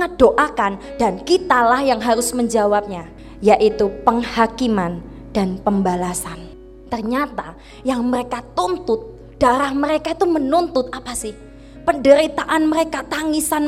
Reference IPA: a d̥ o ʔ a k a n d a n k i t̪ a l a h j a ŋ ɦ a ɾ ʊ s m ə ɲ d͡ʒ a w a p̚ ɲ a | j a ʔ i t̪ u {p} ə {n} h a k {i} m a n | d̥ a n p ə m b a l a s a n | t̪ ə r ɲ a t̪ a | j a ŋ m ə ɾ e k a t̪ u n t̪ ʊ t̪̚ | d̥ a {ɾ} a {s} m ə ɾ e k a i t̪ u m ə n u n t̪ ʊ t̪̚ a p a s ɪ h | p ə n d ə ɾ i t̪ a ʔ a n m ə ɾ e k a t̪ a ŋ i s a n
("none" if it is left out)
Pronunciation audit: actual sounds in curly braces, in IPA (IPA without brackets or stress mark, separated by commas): p, ŋ, i, ɾ, h